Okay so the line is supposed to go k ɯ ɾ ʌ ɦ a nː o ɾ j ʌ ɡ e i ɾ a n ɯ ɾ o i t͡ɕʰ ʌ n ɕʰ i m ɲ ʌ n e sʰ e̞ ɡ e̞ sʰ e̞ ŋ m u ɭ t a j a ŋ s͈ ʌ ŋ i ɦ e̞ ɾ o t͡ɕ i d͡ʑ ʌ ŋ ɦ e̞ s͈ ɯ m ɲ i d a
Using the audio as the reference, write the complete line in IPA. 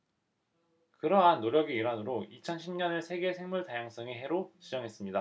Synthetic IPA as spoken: k ɯ ɾ ʌ ɦ a nː o ɾ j ʌ ɡ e i ɾ a n ɯ ɾ o i t͡ɕʰ ʌ n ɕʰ i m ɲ ʌ n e sʰ e̞ ɡ e̞ sʰ e̞ ŋ m u ɭ t a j a ŋ s͈ ʌ ŋ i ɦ e̞ ɾ o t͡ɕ i d͡ʑ ʌ ŋ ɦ e̞ s͈ ɯ m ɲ i d a